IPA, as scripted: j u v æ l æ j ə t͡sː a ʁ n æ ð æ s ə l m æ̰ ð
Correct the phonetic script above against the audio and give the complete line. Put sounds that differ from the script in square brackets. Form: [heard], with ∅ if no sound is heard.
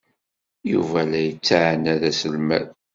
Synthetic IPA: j u v æ l æ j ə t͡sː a [ʕ] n æ ð æ s ə l m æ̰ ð